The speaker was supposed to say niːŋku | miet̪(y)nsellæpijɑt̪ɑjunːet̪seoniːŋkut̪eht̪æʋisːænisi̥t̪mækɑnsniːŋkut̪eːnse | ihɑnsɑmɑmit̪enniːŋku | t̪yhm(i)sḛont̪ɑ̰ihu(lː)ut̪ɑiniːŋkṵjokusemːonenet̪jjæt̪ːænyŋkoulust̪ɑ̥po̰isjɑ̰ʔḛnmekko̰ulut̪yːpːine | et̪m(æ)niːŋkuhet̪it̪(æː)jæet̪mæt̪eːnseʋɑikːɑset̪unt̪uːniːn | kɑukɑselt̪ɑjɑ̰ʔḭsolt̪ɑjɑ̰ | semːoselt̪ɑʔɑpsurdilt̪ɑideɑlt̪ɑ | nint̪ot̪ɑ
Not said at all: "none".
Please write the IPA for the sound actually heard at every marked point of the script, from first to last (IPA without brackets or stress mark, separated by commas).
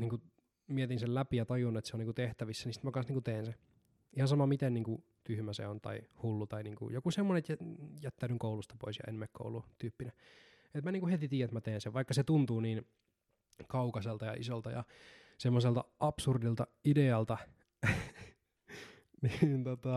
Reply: i, æ, lː, æ, iː